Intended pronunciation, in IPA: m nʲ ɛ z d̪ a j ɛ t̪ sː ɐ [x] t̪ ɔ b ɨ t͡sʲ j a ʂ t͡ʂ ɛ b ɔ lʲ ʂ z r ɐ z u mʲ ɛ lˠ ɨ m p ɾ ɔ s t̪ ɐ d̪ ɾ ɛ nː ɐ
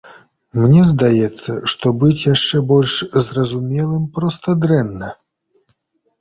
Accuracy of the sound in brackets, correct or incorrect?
incorrect